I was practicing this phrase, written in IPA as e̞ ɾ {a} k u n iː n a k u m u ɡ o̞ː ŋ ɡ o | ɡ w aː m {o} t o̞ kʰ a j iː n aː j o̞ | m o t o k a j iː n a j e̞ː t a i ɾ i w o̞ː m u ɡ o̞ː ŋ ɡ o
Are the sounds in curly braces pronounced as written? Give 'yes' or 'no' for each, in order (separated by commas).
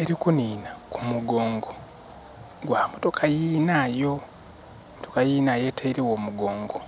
no, yes